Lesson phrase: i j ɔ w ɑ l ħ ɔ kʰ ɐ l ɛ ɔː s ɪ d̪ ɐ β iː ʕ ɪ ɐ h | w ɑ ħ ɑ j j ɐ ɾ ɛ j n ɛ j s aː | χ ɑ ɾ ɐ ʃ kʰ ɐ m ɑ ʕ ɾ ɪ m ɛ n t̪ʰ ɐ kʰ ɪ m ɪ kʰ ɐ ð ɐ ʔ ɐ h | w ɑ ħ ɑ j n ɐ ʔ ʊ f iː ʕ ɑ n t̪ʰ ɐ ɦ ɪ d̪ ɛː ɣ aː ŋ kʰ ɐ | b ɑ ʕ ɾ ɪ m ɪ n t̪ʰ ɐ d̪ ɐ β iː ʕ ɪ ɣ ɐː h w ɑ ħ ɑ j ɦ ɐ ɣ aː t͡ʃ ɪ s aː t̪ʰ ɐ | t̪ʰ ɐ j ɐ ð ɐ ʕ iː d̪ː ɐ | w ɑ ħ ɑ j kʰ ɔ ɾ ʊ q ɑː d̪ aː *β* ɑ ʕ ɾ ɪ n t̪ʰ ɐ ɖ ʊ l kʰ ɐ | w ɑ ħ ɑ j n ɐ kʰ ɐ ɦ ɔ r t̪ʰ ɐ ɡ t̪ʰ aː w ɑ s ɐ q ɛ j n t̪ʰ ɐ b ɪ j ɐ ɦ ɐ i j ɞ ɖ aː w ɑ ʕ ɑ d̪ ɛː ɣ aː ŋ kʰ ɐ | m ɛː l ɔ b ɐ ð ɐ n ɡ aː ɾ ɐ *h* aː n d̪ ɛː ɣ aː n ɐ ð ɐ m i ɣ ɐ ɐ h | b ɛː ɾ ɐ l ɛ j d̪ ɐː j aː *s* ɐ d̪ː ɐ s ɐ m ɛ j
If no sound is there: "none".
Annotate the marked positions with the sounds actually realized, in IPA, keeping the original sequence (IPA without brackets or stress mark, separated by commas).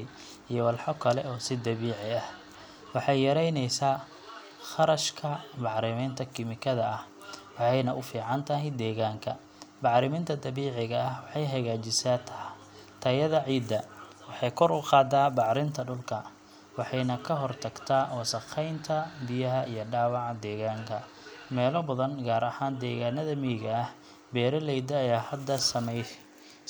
b, h, h